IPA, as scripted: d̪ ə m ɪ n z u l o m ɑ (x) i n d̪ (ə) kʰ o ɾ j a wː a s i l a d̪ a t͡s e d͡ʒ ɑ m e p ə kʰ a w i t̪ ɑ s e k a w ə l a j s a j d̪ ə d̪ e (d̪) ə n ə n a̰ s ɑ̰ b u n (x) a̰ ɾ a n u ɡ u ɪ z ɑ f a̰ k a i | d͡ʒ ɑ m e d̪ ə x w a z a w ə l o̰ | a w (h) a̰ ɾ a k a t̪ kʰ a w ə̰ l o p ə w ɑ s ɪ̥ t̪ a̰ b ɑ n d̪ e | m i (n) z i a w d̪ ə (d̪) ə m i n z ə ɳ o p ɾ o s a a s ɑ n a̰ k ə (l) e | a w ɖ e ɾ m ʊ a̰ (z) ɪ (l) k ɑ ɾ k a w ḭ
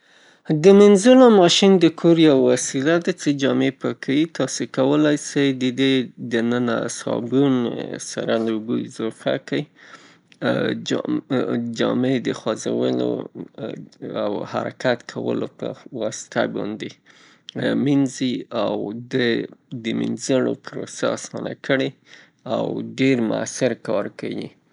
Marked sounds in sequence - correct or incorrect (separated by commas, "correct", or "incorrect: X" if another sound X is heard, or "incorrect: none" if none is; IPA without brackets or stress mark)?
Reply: incorrect: ʃ, correct, correct, incorrect: s, correct, correct, correct, incorrect: ɽ, incorrect: s, incorrect: ɾ